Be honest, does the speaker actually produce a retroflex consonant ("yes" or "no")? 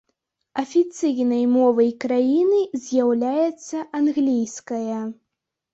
no